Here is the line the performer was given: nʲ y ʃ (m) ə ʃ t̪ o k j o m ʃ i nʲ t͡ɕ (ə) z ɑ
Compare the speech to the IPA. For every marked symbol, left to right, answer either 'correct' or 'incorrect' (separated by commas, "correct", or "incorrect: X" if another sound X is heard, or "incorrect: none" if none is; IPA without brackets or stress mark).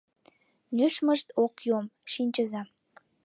correct, correct